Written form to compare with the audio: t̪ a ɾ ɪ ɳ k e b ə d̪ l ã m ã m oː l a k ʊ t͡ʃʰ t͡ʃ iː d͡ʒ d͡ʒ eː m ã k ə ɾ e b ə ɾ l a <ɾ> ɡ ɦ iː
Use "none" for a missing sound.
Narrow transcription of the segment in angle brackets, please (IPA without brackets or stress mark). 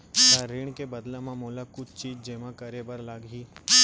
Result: none